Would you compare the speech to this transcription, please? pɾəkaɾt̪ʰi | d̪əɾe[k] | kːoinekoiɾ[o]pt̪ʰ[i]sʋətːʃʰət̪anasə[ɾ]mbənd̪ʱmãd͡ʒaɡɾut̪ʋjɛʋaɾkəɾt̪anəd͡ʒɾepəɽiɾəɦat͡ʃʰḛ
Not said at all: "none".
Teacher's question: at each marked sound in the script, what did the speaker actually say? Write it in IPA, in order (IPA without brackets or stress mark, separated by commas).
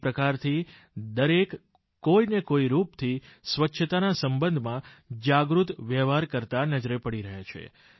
k, u, i, none